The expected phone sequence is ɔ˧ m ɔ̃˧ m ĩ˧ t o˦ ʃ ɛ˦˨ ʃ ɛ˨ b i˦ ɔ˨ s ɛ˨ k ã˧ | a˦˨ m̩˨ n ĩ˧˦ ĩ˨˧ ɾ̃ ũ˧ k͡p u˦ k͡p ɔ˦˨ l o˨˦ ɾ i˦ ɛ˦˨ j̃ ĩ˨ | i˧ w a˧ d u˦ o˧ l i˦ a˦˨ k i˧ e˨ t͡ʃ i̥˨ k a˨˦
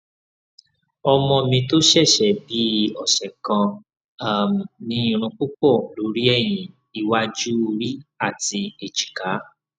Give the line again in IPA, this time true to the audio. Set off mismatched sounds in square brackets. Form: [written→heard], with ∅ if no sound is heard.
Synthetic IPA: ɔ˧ m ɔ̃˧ m ĩ˧ t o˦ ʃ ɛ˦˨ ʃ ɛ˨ b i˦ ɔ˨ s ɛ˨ k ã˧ | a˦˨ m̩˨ n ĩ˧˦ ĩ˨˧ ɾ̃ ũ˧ k͡p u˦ k͡p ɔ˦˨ l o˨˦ ɾ i˦ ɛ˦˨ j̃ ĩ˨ | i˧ w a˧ [d→d͡ʒ] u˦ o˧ [l→ɾ] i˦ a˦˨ [k→t] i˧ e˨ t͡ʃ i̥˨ k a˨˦